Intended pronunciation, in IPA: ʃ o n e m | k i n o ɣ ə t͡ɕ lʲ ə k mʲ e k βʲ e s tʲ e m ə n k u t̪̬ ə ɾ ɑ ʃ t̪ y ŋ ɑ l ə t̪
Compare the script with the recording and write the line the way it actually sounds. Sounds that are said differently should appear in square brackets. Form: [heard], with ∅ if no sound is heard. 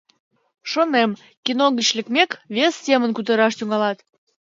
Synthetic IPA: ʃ o n e m | k i n o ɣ ə t͡ɕ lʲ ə k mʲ e k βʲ e s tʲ e m ə n k u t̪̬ ə ɾ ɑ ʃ t̪ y ŋ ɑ l [ɑ] t̪